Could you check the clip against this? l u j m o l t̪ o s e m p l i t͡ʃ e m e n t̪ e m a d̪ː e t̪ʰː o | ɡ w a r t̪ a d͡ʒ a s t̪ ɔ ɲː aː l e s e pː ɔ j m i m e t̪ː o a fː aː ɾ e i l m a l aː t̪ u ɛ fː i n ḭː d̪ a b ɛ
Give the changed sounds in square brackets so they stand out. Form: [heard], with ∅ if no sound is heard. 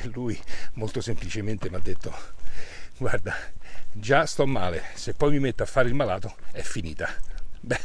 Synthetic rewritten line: l u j m o l t̪ o s e m p l i t͡ʃ e m e n t̪ e m a d̪ː e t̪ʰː o | ɡ w a r [d̪] a d͡ʒ a s t̪ ɔ [mː] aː l e s e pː ɔ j m i m e t̪ː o a fː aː ɾ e i l m a l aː t̪ [o] ɛ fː i n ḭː [t̪] a b ɛ

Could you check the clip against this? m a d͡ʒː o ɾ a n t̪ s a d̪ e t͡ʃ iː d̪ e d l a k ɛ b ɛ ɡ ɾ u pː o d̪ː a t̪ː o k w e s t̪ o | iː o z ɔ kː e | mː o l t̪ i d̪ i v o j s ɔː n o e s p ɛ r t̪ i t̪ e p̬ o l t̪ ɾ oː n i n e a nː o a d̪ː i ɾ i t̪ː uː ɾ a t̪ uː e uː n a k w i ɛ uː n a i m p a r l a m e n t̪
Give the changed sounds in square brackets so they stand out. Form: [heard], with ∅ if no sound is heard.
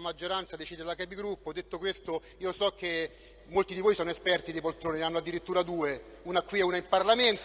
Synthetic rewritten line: m a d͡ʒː o ɾ a n t̪ s a d̪ e t͡ʃ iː d̪ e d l a k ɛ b [i] ɡ ɾ u pː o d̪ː [e] t̪ː o k w e s t̪ o | iː o [s] ɔ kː e | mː o l t̪ i d̪ i v o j s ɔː n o e s p ɛ r t̪ i [d̪] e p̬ o l t̪ ɾ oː n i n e a nː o a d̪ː i ɾ i t̪ː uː ɾ a [d̪] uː e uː n a k w i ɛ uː n a i m p a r l a m e n t̪

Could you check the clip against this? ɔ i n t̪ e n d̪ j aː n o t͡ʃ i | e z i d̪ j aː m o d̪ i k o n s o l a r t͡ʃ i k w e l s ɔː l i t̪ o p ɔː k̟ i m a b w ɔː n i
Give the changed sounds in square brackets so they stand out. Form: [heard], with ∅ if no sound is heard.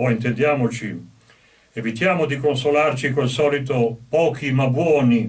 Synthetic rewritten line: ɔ i n t̪ e n d̪ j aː [m] o t͡ʃ i | e [v] i [t̪] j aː m o d̪ i k o n s o l a r t͡ʃ i k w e l s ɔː l i t̪ o p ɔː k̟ i m a b w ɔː n i

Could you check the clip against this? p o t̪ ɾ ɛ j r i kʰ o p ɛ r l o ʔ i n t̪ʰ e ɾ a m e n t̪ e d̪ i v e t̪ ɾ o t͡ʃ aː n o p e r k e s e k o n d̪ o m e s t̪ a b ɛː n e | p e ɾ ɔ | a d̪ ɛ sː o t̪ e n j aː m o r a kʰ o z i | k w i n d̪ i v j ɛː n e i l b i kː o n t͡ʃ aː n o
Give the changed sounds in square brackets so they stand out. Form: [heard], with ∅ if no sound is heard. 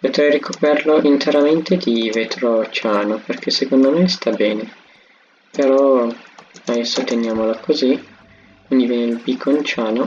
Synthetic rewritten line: p o t̪ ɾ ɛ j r i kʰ o p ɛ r l o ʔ i n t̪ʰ e ɾ a m e n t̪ e d̪ i v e t̪ ɾ o t͡ʃ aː n o p e r k e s e k o n d̪ o m e s t̪ a b ɛː n e | p e ɾ ɔ | a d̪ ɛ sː o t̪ e n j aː m o [l] a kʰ o z i | k w i n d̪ i v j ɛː n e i l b i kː o n t͡ʃ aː n o

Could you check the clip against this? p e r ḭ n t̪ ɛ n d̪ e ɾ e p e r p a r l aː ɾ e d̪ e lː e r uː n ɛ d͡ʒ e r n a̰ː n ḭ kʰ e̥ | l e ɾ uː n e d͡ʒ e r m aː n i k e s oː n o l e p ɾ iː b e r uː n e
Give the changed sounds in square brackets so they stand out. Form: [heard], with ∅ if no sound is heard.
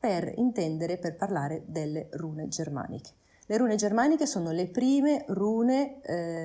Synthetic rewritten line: p e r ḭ n t̪ ɛ n d̪ e ɾ e p e r p a r l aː ɾ e d̪ e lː e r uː n [e] d͡ʒ e r [m] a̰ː n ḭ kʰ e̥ | l e ɾ uː n e d͡ʒ e r m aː n i k e s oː n o l e p ɾ iː [m] e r uː n e

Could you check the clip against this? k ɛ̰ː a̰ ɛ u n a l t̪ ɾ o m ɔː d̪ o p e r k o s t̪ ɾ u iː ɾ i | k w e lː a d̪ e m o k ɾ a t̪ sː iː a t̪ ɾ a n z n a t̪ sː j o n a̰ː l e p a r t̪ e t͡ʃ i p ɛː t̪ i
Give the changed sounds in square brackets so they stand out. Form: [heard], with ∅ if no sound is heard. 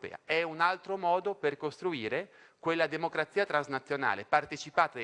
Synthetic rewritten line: [p] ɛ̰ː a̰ ɛ u n a l t̪ ɾ o m ɔː d̪ o p e r k o s t̪ ɾ u iː ɾ [e] | k w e lː a d̪ e m o k ɾ a t̪ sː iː a t̪ ɾ a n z n a t̪ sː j o n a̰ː l e p a r t̪ e t͡ʃ i p [aː] t̪ [a]

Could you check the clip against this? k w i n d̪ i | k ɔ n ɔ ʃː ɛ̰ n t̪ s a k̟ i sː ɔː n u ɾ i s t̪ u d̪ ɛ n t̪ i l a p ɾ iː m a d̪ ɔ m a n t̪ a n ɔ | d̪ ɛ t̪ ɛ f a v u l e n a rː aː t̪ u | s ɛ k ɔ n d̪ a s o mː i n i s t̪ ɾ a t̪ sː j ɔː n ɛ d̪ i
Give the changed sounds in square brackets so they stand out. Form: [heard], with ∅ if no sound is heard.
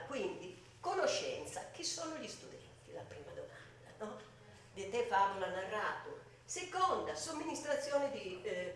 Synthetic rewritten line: k w i n d̪ i | k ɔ n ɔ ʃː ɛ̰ n t̪ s a k̟ i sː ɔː n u [ʎ] i s t̪ u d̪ ɛ n t̪ i l a p ɾ iː m a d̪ ɔ m a n [d̪] a n ɔ | d̪ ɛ t̪ ɛ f a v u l [a] n a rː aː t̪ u | s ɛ k ɔ n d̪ a s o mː i n i s t̪ ɾ a t̪ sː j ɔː n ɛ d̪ i

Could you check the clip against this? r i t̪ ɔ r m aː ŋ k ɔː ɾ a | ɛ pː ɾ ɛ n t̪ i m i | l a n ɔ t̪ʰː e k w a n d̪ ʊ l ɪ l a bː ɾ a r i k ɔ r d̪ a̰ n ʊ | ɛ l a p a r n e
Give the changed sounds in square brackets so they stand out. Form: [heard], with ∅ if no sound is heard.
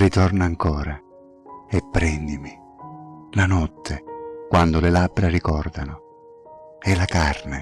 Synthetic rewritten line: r i t̪ ɔ r [n] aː ŋ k ɔː ɾ a | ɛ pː ɾ ɛ n [d̪] i m i | l a n ɔ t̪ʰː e k w a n d̪ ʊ l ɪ l a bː ɾ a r i k ɔ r d̪ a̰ n ʊ | ɛ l a [k] a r n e

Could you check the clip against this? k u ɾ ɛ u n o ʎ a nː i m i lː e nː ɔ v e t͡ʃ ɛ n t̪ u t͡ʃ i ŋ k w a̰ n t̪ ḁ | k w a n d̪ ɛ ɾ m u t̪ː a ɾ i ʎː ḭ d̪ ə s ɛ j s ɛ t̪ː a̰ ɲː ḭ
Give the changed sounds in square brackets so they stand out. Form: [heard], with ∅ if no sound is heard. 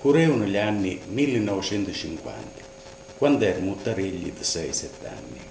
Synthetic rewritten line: k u ɾ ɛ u n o ʎ a nː i m i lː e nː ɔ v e t͡ʃ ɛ n t̪ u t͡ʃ i ŋ k w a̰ n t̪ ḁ | k w a n d̪ ɛ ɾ m u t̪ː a ɾ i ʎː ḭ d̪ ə s ɛ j s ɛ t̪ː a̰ [nː] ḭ

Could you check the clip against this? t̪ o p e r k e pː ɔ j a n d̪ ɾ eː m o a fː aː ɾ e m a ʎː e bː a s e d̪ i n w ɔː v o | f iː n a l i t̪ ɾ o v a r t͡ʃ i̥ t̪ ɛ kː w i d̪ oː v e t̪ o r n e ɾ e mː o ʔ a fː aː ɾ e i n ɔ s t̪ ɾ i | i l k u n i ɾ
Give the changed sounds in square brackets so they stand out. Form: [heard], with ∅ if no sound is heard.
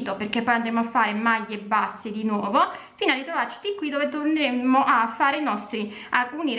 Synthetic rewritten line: t̪ o p e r k e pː ɔ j a n d̪ ɾ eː m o a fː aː ɾ e m a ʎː e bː a [sː] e d̪ i n w ɔː v o | f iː n a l i t̪ ɾ o v a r t͡ʃ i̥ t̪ [i] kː w i d̪ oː v e t̪ o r n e ɾ e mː o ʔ a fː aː ɾ e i n ɔ s t̪ ɾ i | [a] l k u n i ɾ

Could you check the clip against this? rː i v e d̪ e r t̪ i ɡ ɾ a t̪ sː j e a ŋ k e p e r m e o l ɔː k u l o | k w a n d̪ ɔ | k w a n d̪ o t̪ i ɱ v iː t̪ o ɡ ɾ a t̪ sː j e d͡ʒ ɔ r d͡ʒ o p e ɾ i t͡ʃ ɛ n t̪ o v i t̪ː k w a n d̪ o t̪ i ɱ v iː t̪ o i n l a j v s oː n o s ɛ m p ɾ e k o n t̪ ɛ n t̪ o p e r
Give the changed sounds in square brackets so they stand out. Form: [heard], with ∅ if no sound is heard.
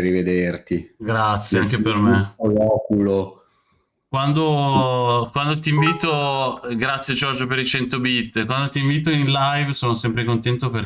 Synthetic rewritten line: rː i v e d̪ e r t̪ i ɡ ɾ a t̪ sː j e a ŋ k e p e r m e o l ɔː k u l o | k w a n d̪ [o] | k w a n d̪ o t̪ i ɱ v iː t̪ o ɡ ɾ a t̪ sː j e d͡ʒ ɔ r d͡ʒ o p e ɾ i t͡ʃ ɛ n t̪ o [b] i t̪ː k w a n d̪ o t̪ i ɱ v iː t̪ o i n l a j v s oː n o s ɛ m p ɾ e k o n t̪ ɛ n t̪ o p e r

